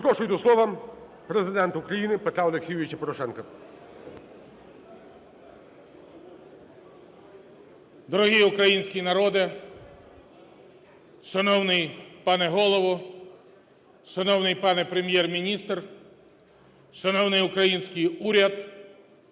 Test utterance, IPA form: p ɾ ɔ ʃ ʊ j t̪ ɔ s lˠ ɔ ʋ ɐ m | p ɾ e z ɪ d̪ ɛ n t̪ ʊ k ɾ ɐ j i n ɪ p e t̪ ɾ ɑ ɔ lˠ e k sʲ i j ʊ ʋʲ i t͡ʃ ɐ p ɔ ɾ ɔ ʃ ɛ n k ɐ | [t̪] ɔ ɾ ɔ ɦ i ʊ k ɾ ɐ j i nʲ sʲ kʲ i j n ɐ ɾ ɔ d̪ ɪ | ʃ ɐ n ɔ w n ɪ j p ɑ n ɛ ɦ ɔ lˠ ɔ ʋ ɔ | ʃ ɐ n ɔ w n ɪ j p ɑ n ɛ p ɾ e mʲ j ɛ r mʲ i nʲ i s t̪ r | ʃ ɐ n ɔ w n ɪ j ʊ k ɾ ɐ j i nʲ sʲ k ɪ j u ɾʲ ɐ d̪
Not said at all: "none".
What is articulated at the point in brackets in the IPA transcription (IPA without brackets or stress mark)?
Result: d̪